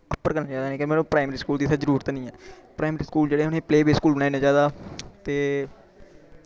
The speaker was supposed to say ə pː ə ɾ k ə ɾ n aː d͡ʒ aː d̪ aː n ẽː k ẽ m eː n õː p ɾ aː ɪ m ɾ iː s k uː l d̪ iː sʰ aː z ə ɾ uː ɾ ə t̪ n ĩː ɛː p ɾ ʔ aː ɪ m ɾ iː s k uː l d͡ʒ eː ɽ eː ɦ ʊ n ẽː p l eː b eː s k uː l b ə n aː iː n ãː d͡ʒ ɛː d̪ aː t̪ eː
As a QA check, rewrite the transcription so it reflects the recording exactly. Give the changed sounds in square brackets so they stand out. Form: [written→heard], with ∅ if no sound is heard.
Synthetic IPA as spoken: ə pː ə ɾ k ə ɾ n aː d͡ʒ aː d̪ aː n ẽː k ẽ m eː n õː p ɾ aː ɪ m ɾ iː s k uː l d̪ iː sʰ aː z ə ɾ uː ɾ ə t̪ n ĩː ɛː p ɾ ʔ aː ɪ m ɾ iː s k uː l d͡ʒ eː ɽ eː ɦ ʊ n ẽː p l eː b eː s k uː l b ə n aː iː n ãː d͡ʒ [ɛː→aː] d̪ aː t̪ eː